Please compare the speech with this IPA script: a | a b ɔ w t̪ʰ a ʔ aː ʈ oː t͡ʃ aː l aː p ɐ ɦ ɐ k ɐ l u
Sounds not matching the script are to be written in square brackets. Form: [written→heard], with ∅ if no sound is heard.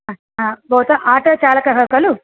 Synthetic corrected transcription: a | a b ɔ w [t̪ʰ→t̪] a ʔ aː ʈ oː t͡ʃ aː l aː [p→k] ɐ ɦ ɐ k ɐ l u